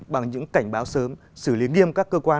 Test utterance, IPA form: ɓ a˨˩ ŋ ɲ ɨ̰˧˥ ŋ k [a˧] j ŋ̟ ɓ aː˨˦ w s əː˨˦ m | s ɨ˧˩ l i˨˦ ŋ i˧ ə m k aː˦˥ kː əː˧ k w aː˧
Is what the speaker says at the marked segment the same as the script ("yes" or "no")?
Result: no